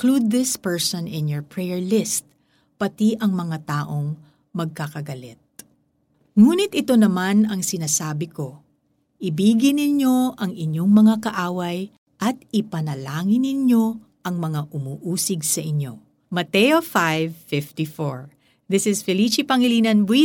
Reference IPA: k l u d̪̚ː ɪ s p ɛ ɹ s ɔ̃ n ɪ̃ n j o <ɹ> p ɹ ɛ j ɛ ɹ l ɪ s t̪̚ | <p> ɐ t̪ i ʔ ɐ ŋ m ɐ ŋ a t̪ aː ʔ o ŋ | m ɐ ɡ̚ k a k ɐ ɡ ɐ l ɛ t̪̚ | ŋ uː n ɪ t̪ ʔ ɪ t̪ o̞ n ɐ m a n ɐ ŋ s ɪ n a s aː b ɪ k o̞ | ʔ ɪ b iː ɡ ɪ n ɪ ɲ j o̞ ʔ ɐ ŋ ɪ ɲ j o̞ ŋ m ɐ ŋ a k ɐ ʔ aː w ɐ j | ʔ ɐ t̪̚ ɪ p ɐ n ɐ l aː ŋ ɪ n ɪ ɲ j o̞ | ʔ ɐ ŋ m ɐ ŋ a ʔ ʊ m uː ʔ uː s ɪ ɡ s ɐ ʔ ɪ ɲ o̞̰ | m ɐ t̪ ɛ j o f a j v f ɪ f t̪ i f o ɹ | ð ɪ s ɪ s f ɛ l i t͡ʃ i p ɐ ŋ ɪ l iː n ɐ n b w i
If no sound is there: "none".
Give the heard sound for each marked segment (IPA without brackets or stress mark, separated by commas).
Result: ɹ, p